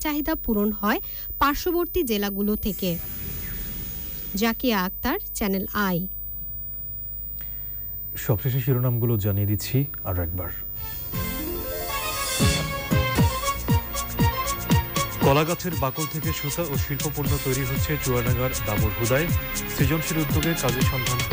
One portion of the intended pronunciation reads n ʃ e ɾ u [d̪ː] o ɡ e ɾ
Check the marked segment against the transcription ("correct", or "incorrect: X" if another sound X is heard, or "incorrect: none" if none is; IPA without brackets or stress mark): correct